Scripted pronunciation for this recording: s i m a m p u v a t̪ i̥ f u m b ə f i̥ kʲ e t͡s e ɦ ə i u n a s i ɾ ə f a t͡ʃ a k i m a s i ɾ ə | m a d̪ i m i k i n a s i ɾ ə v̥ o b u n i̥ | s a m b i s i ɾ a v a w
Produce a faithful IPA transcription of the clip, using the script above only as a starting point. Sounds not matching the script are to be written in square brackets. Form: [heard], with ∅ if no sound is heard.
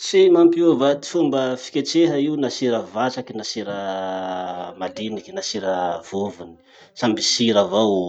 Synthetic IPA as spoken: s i m a m p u v a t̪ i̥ f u m b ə f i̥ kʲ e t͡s e ɦ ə i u n a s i ɾ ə [v] a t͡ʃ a k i [n] a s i ɾ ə | m a d̪ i [n] i k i n a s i ɾ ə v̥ o [v] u n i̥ | s a m b i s i ɾ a v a w